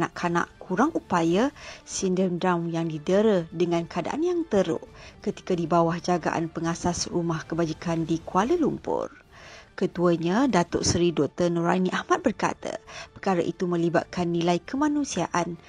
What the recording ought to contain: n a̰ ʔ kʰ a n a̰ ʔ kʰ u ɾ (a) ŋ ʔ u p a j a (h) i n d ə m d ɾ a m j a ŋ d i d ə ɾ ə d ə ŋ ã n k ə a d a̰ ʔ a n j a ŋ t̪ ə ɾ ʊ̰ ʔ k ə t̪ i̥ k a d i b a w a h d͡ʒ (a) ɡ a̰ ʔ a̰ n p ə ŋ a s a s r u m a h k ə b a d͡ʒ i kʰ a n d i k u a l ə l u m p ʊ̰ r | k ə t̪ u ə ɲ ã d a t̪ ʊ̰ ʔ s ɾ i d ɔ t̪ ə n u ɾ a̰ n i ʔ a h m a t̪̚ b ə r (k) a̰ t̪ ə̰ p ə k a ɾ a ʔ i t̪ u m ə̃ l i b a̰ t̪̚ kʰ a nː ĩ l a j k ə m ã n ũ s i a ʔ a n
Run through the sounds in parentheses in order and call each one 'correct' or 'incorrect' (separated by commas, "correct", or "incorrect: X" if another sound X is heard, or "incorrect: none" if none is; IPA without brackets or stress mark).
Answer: correct, incorrect: s, correct, correct